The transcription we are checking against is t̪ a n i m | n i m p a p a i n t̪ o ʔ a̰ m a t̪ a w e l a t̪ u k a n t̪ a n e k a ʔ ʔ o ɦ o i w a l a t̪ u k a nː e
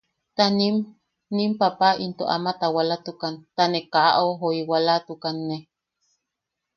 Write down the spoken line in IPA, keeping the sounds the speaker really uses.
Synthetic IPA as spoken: t̪ a n i m | n i m p a p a i n t̪ o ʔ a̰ m a t̪ a w a l a t̪ u k a n t̪ a n e k a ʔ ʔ o ɦ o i w a l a t̪ u k a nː e